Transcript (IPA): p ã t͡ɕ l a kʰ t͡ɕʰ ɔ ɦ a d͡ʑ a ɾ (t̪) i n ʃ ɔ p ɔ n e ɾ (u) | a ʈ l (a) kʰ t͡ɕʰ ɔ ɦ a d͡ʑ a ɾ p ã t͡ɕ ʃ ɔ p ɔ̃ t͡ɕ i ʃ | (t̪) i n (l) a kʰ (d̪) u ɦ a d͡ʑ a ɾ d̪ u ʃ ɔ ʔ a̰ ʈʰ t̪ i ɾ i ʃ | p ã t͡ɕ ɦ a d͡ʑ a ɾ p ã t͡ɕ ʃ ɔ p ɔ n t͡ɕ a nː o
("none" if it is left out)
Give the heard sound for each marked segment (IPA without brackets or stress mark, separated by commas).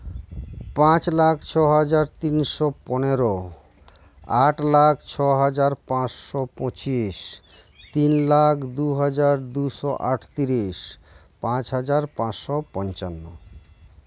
t̪, o, a, t̪, l, d̪